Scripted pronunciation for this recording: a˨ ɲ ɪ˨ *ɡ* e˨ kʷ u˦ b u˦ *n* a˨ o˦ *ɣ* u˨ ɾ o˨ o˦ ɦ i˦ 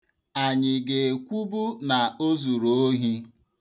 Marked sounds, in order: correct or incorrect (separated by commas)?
correct, correct, incorrect